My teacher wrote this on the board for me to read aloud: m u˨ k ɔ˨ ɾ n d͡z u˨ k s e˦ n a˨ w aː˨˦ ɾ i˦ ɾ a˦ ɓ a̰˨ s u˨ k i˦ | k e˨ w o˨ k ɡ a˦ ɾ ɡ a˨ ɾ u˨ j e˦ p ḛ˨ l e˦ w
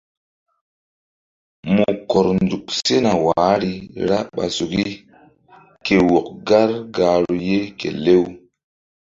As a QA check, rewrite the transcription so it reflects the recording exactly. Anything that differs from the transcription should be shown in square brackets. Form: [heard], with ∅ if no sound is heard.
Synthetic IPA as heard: m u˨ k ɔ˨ ɾ n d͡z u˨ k s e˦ n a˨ w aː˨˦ ɾ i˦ ɾ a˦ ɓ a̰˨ s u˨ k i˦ | k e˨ w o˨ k ɡ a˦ ɾ ɡ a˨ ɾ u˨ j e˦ [k] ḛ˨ l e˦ w